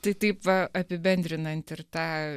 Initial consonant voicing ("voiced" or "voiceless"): voiceless